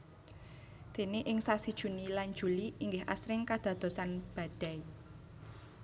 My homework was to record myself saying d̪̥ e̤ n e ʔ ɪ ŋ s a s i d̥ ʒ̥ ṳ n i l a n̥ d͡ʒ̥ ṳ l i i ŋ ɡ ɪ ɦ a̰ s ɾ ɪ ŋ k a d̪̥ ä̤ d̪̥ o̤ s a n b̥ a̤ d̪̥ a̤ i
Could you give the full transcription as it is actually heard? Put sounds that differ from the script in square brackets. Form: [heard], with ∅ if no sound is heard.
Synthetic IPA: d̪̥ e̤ n e ʔ ɪ ŋ s a s i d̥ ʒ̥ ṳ n i l a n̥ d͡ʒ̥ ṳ l i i ŋ ɡ ɪ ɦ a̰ s ɾ ɪ ŋ k a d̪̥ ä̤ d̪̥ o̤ s a n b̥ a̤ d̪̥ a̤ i